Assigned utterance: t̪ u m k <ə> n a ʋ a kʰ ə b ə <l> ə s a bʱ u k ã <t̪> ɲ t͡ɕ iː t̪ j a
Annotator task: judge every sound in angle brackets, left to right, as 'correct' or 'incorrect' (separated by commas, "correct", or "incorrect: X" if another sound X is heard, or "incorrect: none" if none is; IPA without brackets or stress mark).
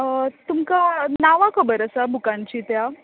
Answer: incorrect: a, incorrect: ɾ, incorrect: none